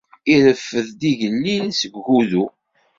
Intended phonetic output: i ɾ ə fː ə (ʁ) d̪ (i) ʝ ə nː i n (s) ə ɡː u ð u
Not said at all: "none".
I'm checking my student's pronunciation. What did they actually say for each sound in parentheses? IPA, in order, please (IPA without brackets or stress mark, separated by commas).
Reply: ð, i, s